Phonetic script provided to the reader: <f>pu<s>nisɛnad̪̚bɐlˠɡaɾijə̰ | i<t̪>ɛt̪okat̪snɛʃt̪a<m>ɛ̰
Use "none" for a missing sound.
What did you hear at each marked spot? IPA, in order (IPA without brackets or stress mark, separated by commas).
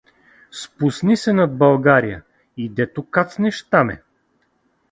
s, s, d̪, m